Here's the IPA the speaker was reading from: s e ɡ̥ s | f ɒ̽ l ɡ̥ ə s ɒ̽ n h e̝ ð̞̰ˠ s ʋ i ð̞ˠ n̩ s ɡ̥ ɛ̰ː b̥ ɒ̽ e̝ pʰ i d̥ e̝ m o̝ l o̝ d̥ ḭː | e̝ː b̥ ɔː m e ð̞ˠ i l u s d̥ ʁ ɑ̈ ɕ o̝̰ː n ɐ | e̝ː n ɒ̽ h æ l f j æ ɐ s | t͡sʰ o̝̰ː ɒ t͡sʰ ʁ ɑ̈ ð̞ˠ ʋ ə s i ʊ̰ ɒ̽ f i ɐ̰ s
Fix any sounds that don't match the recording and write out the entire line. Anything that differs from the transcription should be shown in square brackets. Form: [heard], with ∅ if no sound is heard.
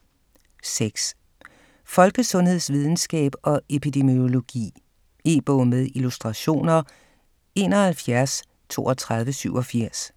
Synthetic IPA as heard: s e ɡ̥ s | f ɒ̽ l ɡ̥ ə s [ɔ̽] n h e̝ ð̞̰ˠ s ʋ i ð̞ˠ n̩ s ɡ̥ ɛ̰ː b̥ ɒ̽ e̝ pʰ i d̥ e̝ m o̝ l o̝ [ɡ̥] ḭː | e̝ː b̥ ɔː m e ð̞ˠ i l u s d̥ ʁ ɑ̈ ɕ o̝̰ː n ɐ | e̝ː n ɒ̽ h æ l f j æ ɐ s | t͡sʰ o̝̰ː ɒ t͡sʰ ʁ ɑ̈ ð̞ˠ ʋ ə s [y] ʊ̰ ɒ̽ f i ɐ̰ s